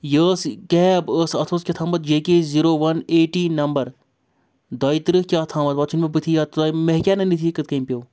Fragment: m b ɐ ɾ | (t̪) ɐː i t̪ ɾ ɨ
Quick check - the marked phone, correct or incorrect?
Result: incorrect